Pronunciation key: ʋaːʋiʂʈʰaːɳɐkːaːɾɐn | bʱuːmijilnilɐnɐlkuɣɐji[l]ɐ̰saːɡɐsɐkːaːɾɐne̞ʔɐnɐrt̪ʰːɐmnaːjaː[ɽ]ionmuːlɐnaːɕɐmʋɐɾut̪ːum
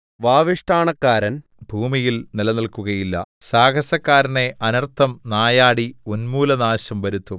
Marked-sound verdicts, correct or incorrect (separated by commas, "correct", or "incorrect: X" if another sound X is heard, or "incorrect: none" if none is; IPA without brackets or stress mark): incorrect: lː, correct